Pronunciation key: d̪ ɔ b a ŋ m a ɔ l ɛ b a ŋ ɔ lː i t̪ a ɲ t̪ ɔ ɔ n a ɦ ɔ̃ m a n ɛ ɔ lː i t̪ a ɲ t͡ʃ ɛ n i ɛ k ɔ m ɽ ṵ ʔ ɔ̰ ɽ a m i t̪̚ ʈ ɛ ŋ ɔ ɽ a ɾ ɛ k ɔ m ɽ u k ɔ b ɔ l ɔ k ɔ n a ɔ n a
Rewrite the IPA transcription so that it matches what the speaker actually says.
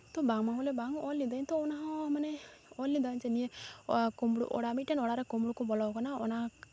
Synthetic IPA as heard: t̪ ɔ b a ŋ m a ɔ l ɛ b a ŋ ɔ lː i d̪ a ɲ t̪ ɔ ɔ n a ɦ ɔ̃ m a n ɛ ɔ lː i d̪ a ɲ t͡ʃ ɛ n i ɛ k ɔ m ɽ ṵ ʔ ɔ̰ ɽ a m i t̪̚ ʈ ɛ n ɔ ɽ a ɾ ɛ k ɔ m ɽ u k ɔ b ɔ l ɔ k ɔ n a ɔ n a